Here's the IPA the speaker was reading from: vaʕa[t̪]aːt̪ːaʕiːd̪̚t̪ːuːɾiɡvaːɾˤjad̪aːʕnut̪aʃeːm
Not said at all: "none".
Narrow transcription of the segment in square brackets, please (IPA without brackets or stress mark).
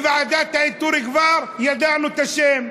d̪